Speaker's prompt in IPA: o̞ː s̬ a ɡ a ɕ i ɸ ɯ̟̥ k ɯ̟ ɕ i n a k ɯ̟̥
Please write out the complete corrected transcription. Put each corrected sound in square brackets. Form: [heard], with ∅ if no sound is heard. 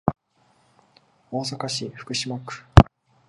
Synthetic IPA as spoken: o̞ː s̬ a [k] a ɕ i ɸ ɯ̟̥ k ɯ̟ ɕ i [m] a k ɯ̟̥